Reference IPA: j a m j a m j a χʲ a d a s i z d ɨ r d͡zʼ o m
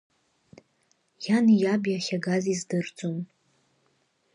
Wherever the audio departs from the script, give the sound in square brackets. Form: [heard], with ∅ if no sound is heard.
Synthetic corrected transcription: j a [n] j a [b] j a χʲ a [ɡ] a [z] i z d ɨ r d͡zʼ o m